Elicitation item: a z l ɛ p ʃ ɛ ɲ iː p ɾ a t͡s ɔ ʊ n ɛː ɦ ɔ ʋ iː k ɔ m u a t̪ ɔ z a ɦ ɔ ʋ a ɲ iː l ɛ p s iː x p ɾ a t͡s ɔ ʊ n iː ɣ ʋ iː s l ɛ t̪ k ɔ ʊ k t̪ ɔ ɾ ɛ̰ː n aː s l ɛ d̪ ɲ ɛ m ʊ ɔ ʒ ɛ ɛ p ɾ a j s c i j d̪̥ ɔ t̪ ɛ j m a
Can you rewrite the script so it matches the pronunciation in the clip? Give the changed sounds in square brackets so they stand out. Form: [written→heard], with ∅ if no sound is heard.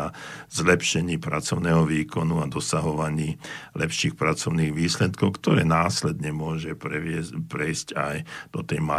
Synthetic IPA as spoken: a z l ɛ p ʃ ɛ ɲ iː p ɾ a t͡s ɔ ʊ n ɛː ɦ ɔ ʋ iː k ɔ [m→n] u a [t̪→d̪] ɔ [z→s] a ɦ ɔ ʋ a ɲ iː l ɛ p [s→ʃ] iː x p ɾ a t͡s ɔ ʊ n iː ɣ ʋ iː s l ɛ t̪ k ɔ ʊ k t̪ ɔ ɾ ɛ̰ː n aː s l ɛ d̪ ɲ ɛ m ʊ ɔ ʒ ɛ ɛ p ɾ [a→ɛ] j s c [i→a] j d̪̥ ɔ t̪ ɛ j m a